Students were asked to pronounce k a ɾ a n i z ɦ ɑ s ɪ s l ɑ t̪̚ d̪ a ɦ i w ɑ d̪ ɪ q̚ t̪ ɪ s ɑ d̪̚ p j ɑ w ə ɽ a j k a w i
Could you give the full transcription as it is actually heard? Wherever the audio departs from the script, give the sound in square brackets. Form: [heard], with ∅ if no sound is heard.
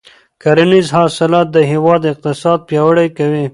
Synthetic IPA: k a ɾ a n i z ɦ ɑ s ɪ [∅] l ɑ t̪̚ d̪ [ə] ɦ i w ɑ d̪ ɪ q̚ t̪ ɪ s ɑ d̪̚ p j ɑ w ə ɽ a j k a w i